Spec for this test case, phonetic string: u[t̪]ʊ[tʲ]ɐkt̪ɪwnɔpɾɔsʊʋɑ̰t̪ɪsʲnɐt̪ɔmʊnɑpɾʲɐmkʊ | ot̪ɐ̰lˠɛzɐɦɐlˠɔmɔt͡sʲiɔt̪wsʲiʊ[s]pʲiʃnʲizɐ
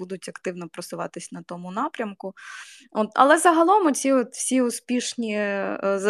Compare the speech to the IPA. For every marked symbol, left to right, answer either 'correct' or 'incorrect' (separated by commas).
incorrect, correct, correct